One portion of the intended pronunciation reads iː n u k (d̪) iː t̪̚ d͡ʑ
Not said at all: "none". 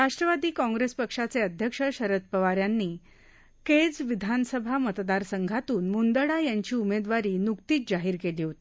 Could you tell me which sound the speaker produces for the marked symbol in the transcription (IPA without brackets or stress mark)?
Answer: t̪